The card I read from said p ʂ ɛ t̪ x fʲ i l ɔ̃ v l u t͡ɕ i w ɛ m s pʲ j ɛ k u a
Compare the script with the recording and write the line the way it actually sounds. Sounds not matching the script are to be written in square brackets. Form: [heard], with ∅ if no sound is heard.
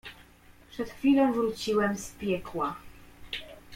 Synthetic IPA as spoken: p ʂ ɛ t̪ x fʲ i l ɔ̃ v [ɾ] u t͡ɕ i w ɛ m s pʲ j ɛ k [w] a